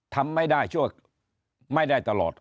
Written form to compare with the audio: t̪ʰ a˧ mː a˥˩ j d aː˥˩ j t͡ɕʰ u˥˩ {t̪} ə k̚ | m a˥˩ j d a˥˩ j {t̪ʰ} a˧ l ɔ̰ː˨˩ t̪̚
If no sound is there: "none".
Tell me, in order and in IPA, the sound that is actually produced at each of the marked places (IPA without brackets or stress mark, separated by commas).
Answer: none, t̪